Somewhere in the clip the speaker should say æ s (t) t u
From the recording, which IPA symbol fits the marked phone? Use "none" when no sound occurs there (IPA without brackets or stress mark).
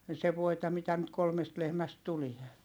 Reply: t